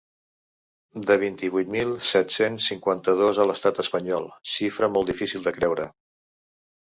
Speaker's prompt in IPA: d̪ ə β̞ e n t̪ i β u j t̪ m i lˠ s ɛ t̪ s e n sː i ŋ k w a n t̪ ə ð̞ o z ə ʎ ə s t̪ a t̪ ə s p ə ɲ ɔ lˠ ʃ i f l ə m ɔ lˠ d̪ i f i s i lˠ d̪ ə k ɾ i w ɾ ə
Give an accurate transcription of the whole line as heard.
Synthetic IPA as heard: d̪ ə β̞ i n t̪ i β u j t̪ m i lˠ s ɛ t̪ s e n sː i ŋ k w a n t̪ ə ð̞ o z ə l ə s t̪ a t̪ ə s p ə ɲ ɔ lˠ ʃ i f ɾ ə m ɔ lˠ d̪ i f i s i lˠ d̪ ə k ɾ ɛ w ɾ ə